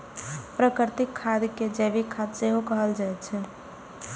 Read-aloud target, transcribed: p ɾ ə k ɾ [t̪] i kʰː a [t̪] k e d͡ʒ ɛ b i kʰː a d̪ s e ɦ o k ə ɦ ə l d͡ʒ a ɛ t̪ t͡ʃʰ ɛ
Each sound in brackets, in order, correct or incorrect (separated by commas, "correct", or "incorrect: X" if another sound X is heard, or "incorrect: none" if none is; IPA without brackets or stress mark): correct, incorrect: d̪